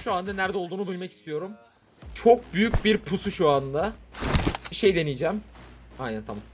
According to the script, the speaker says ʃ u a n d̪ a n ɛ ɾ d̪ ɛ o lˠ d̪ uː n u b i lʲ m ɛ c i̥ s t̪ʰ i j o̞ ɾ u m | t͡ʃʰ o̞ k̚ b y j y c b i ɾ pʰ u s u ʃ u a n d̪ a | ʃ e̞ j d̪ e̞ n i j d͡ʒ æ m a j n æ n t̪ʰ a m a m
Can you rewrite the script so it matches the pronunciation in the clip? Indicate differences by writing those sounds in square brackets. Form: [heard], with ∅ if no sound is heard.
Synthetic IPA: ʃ u a n d̪ a n [æ] ɾ d̪ ɛ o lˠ d̪ uː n u b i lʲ m ɛ c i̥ s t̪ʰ i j o̞ ɾ u m | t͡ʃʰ o̞ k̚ b y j y c b i ɾ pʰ u s u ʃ u a n d̪ a | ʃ e̞ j d̪ e̞ n i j d͡ʒ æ m a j n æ n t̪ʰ a m a m

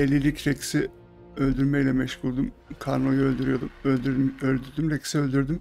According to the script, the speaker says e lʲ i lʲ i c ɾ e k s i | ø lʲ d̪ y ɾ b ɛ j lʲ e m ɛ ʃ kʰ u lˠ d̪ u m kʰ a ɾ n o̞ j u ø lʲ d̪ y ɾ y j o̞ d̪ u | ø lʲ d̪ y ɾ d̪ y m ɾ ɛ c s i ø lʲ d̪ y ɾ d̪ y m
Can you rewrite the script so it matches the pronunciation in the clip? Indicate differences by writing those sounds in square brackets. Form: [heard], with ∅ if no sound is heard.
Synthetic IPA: e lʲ i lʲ i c ɾ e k s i | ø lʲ d̪ y ɾ [m] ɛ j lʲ [ɛ] m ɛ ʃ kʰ u lˠ d̪ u m kʰ a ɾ n o̞ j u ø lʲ d̪ y ɾ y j o̞ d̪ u | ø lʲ d̪ y ɾ d̪ y m ɾ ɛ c s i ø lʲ d̪ y ɾ d̪ y m

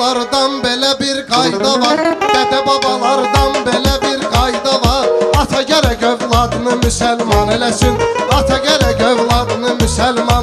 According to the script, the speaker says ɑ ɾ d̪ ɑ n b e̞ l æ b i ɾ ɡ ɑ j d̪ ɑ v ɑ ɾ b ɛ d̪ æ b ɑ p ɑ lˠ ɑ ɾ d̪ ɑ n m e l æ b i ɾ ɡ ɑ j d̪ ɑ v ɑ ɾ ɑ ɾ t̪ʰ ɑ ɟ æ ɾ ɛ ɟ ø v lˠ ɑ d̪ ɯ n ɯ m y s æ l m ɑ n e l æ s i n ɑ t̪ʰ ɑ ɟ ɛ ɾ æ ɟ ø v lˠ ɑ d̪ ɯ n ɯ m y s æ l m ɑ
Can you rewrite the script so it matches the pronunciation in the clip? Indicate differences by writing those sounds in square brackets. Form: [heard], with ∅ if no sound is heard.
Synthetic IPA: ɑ ɾ d̪ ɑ n b e̞ l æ b i ɾ ɡ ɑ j d̪ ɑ v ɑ ɾ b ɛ d̪ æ b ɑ [b] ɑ lˠ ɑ ɾ d̪ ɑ n [b] e l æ b i ɾ ɡ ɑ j d̪ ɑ v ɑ ɾ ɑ [∅] t̪ʰ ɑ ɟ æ ɾ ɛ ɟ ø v lˠ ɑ d̪ ɯ n ɯ m y s æ l m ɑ n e l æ s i n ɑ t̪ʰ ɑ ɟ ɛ ɾ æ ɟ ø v lˠ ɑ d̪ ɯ n ɯ m y s æ l m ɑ

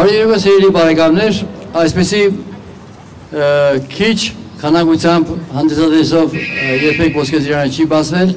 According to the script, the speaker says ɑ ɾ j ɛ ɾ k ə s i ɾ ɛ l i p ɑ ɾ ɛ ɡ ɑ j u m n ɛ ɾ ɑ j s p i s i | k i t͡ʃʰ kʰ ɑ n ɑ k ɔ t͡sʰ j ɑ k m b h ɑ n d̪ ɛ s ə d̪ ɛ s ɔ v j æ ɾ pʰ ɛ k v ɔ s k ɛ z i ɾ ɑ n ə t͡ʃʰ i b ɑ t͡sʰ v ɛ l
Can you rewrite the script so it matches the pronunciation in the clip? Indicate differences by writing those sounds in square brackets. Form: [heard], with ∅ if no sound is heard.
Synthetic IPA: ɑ ɾ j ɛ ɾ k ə s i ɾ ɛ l i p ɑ ɾ ɛ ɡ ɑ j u m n ɛ ɾ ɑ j s p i s i | [kʰ] i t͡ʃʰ kʰ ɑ n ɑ k [u] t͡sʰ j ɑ [∅] m b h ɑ n d̪ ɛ s [ɑ] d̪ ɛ s ɔ v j [ɛ] ɾ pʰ ɛ k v ɔ s k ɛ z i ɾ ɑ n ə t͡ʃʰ i b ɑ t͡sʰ v ɛ l

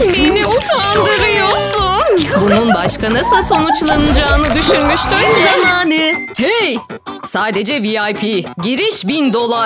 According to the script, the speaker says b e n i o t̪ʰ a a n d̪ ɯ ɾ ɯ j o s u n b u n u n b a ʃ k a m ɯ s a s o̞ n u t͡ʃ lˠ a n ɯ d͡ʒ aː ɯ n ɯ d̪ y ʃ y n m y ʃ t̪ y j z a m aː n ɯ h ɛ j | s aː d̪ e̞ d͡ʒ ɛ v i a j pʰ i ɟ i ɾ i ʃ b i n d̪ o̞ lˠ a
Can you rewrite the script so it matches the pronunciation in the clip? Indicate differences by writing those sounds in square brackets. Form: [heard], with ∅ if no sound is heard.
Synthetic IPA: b e n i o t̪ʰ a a n d̪ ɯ ɾ ɯ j o s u n b u n u n b a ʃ k a [n] ɯ s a s o̞ n u t͡ʃ lˠ a n ɯ d͡ʒ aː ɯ n ɯ d̪ y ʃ y n m y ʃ t̪ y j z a m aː n ɯ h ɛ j | s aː d̪ e̞ d͡ʒ ɛ v i a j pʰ i ɟ i ɾ i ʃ b i n d̪ o̞ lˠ a

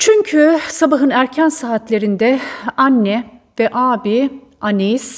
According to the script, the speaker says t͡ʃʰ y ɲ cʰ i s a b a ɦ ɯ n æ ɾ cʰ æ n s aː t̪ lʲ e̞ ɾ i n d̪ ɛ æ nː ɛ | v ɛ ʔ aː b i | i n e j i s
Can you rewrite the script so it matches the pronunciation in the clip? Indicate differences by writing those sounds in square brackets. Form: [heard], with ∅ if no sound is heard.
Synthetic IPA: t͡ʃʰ y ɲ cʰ [y] s a b a ɦ ɯ n æ ɾ cʰ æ n s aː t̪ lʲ e̞ ɾ i n d̪ ɛ [a] nː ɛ | v ɛ ʔ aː b i | [a] n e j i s

